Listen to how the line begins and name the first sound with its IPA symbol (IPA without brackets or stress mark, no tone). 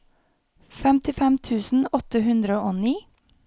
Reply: f